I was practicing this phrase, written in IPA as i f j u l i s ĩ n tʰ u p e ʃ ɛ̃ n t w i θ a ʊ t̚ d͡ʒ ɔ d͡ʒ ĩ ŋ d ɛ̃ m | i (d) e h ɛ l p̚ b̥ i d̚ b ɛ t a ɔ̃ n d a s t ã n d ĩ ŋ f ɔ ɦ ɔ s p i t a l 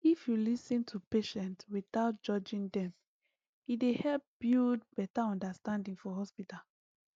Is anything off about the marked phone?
no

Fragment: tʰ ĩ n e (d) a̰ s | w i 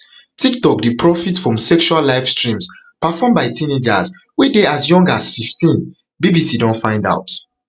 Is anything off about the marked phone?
yes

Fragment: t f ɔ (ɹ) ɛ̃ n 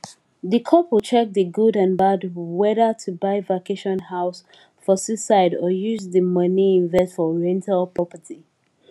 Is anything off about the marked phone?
no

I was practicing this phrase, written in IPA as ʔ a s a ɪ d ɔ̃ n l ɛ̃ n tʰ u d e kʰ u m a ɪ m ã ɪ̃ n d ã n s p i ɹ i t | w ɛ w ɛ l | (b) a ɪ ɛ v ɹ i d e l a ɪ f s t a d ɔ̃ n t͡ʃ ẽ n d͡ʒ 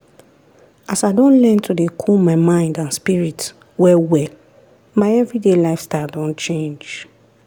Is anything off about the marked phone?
yes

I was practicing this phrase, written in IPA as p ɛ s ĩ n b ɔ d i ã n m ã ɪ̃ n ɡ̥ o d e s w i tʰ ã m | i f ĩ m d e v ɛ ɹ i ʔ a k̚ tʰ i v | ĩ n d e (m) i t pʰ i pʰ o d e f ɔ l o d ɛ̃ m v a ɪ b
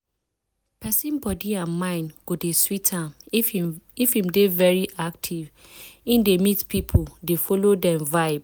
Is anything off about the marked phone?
no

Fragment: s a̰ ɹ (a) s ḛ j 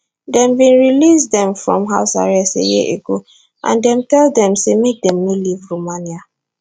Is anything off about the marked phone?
yes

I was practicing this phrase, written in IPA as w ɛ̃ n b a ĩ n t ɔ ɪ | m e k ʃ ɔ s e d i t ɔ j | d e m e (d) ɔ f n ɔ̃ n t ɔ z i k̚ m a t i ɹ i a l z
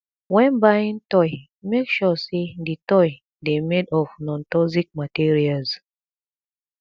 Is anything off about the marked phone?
no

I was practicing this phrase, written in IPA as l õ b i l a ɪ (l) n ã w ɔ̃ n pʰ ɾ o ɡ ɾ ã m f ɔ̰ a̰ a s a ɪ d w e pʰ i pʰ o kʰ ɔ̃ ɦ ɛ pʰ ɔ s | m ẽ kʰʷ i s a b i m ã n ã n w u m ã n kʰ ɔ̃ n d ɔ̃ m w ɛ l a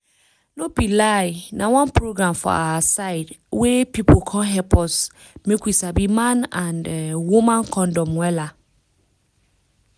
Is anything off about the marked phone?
yes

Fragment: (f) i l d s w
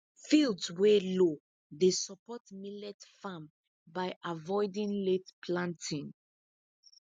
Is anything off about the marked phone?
no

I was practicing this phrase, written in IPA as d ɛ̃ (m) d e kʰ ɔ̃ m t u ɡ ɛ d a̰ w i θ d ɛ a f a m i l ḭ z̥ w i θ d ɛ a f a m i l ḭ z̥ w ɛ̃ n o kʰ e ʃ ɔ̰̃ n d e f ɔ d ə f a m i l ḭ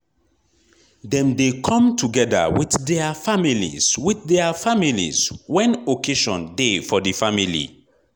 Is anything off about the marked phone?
no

